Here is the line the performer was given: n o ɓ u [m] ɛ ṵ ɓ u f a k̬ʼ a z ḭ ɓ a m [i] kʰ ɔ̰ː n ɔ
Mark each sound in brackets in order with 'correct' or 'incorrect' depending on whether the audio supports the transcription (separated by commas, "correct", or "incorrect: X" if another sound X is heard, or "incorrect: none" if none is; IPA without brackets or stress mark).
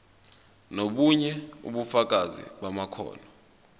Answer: incorrect: ɲ, incorrect: a